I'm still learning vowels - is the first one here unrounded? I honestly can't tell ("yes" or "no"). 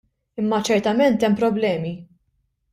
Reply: yes